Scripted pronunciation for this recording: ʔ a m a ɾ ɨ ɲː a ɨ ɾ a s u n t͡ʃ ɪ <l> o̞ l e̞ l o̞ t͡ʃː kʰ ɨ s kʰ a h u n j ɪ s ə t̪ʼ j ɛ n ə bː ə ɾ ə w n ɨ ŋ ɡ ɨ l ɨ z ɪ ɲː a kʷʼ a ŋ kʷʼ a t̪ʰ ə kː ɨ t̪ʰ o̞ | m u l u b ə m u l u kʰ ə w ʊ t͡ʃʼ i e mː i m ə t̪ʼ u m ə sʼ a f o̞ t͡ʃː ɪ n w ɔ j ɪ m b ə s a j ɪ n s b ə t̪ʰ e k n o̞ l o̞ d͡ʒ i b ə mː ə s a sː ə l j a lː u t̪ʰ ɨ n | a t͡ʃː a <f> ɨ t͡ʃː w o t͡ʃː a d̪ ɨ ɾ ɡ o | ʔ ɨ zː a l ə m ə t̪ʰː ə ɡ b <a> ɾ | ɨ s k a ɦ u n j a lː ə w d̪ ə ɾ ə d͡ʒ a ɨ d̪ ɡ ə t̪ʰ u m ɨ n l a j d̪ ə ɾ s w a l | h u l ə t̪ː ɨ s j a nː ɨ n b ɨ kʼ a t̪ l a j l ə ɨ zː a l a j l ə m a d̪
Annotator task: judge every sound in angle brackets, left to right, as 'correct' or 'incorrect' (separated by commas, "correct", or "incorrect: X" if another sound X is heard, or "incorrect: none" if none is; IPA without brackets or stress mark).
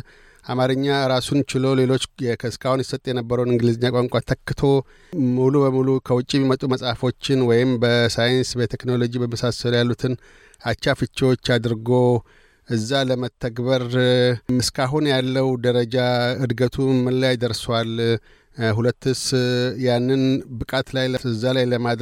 correct, correct, incorrect: ə